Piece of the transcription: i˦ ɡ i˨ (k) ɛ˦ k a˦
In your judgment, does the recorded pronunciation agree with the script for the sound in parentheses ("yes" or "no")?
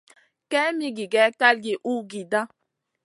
no